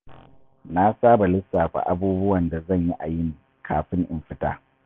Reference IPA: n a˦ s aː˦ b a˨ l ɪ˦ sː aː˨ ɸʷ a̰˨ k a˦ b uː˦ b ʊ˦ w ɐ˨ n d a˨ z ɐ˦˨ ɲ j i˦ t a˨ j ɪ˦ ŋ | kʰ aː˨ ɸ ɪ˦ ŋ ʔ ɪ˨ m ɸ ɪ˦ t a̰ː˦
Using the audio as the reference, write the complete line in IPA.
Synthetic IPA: n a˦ s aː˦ b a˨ l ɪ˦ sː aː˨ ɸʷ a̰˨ ʔ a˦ b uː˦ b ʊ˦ w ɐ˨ n d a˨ z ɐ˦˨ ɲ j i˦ ʔ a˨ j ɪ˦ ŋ | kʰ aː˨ ɸ ɪ˦ ŋ ʔ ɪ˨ m ɸ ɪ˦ t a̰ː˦